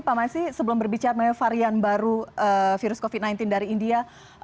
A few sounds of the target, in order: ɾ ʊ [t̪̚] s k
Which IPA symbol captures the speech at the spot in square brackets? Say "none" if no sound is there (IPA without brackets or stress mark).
none